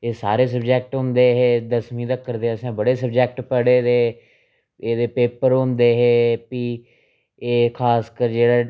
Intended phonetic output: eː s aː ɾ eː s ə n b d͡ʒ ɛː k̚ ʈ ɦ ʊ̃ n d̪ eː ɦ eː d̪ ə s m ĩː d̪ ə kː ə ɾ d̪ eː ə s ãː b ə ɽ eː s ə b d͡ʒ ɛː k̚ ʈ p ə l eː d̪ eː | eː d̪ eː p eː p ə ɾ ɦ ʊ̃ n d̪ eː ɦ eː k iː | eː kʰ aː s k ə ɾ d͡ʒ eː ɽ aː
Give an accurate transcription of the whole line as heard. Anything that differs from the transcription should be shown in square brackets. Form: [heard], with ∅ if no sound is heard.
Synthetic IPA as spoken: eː s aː ɾ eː s ə [∅] b d͡ʒ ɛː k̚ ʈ ɦ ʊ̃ n d̪ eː ɦ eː d̪ ə s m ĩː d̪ ə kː ə ɾ d̪ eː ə s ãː b ə ɽ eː s ə b d͡ʒ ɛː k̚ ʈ p ə [ɽ] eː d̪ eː | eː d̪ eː p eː p ə ɾ ɦ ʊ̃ n d̪ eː ɦ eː [p] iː | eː kʰ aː s k ə ɾ d͡ʒ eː ɽ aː